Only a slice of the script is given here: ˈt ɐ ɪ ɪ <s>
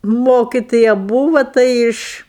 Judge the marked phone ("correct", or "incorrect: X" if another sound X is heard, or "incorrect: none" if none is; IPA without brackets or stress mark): incorrect: ʃ